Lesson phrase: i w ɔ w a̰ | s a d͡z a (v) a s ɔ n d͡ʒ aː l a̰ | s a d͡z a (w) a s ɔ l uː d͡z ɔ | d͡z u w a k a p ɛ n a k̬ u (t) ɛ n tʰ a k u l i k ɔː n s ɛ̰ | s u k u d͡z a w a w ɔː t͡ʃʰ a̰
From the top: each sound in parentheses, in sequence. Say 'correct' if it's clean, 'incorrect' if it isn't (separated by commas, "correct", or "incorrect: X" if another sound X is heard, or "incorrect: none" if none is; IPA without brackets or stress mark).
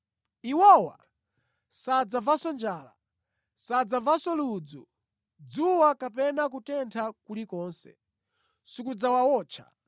correct, incorrect: v, correct